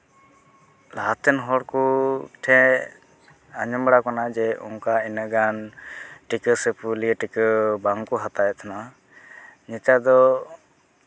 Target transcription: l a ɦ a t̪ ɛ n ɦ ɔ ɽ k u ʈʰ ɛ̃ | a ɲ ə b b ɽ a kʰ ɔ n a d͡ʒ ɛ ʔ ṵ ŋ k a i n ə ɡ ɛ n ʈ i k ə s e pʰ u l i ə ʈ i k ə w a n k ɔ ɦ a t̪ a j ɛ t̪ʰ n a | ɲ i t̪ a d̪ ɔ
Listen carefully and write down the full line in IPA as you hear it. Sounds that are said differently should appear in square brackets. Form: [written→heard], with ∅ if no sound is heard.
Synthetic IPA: l a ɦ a t̪ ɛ n ɦ ɔ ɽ k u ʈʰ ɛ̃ | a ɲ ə [b→m] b ɽ a [kʰ→k] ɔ n a d͡ʒ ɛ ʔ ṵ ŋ k a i n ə ɡ [ɛ→a] n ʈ i k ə s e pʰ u l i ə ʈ i k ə [w→b] a [n→ŋ] k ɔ ɦ a t̪ a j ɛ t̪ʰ n a | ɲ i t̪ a d̪ ɔ